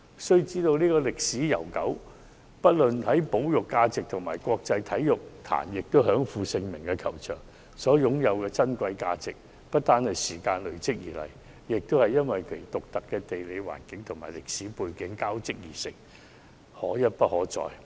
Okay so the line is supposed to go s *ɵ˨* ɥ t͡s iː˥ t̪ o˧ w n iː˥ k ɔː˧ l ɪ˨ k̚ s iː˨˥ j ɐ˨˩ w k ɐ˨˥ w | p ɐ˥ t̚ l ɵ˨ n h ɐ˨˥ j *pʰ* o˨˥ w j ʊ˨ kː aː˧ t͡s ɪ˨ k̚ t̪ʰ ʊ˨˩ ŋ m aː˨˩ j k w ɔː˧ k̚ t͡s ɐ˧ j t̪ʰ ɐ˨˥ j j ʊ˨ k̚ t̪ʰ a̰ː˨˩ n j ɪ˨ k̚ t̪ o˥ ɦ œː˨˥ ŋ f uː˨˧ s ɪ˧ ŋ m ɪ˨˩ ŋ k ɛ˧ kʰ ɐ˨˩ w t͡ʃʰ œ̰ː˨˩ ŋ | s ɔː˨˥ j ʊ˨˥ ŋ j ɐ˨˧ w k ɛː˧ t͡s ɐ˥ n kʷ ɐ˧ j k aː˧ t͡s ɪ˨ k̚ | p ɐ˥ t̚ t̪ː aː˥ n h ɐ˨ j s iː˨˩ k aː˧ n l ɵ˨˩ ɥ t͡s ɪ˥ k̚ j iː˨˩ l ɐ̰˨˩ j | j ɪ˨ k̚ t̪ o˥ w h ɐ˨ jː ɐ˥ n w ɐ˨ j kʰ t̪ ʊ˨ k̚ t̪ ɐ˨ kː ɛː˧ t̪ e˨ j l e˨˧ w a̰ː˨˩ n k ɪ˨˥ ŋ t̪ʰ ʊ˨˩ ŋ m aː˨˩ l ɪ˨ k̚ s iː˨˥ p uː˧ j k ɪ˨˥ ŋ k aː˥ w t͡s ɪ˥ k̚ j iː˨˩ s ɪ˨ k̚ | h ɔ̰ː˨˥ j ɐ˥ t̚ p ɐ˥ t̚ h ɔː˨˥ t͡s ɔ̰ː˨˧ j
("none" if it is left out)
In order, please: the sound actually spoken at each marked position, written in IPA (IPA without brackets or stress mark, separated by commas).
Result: ɵ˥, p